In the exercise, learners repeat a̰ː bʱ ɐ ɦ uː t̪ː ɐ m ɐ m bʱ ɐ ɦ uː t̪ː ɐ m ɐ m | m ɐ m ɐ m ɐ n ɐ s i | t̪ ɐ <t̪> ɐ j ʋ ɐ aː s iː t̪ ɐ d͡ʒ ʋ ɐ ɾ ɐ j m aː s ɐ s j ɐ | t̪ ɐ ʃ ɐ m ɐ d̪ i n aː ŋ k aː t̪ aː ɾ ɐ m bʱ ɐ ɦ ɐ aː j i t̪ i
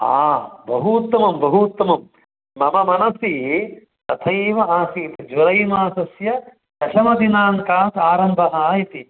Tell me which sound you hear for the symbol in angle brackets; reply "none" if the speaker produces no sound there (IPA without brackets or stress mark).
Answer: t̪ʰ